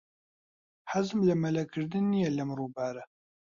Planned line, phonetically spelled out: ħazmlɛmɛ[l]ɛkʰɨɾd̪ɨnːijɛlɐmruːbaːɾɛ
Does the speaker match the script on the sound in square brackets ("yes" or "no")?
yes